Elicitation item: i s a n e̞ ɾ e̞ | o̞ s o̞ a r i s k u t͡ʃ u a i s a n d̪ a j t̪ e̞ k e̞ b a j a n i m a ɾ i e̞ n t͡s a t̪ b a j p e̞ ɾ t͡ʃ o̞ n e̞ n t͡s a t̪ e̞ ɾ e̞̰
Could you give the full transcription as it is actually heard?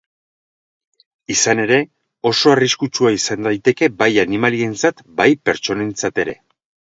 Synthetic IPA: i s a n e̞ ɾ e̞ | o̞ s o̞ a r i s k u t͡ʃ u a i s a n d̪ a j t̪ e̞ k e̞ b a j a n i m a l i e̞ n t͡s a t̪ b a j p e̞ ɾ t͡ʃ o̞ n e̞ n t͡s a t̪ e̞ ɾ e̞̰